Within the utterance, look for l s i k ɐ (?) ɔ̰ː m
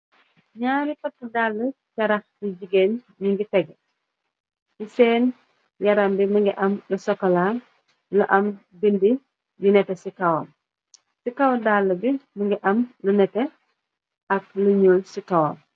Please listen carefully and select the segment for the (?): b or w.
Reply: w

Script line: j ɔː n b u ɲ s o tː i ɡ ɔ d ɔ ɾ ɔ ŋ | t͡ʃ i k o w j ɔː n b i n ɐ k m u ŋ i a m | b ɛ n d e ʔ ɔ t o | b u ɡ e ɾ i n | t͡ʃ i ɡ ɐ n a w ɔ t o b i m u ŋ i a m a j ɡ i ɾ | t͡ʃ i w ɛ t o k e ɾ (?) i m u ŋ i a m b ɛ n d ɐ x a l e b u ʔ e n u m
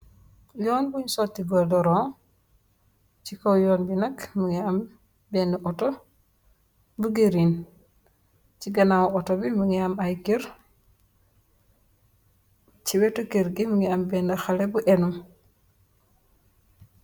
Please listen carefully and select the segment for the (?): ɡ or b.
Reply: ɡ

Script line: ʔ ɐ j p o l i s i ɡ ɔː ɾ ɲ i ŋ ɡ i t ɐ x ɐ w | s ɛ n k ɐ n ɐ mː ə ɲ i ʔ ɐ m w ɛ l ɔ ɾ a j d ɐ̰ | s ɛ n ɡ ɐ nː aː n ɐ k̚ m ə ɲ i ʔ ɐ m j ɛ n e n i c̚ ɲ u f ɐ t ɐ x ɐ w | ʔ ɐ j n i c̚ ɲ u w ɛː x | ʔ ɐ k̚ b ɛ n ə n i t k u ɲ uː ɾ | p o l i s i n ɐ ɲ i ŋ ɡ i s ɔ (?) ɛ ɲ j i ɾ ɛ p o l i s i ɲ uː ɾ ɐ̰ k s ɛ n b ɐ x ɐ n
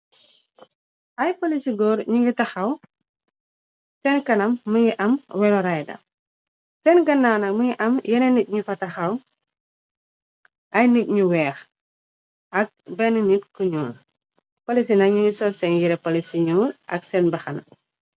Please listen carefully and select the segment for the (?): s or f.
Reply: s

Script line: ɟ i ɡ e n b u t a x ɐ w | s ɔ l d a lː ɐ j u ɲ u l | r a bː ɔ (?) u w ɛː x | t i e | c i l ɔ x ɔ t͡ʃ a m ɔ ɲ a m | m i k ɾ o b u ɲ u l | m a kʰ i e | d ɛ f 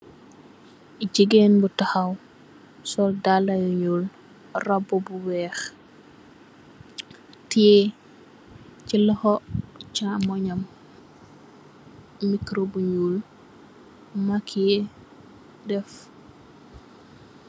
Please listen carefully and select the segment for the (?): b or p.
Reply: b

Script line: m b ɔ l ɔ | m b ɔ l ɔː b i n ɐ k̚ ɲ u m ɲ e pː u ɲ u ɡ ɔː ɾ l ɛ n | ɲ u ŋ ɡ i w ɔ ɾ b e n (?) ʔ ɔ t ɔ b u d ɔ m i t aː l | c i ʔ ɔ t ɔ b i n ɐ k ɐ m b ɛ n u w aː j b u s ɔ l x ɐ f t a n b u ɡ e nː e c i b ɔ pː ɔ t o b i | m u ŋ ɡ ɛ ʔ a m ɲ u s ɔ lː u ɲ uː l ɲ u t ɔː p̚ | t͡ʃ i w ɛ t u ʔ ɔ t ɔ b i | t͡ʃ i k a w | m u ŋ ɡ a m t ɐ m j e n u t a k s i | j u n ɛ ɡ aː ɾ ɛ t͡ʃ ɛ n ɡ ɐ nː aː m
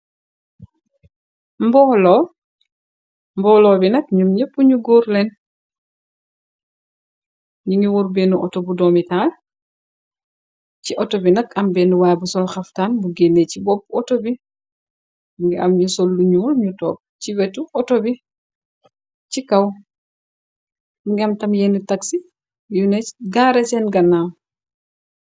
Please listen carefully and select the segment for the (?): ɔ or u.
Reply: u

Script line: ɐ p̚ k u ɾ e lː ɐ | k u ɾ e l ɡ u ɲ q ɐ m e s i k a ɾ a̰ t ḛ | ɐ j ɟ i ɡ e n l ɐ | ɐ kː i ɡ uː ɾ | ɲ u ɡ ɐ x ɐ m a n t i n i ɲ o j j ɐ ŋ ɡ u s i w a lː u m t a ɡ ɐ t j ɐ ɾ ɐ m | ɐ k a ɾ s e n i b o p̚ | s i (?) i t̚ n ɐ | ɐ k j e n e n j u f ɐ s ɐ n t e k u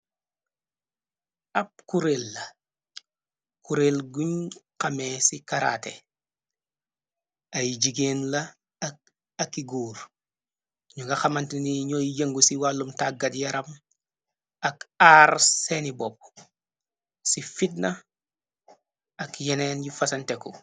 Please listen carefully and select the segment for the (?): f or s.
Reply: f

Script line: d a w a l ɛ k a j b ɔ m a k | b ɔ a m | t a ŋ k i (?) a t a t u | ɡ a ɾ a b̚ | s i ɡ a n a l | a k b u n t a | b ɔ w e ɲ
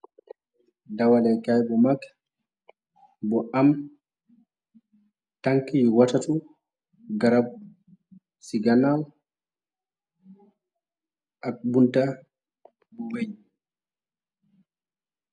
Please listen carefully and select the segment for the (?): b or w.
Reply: w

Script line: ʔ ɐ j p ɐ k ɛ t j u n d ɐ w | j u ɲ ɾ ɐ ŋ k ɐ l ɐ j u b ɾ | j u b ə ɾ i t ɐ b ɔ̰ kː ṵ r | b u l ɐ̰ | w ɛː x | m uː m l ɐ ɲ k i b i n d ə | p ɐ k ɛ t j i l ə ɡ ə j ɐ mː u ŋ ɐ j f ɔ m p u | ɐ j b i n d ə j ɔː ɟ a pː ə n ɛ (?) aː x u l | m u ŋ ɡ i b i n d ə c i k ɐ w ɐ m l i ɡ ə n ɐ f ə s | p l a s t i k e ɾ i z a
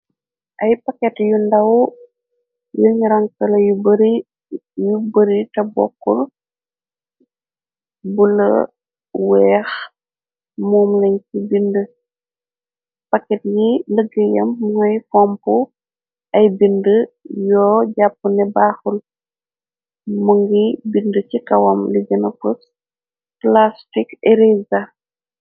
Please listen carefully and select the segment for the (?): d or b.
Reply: b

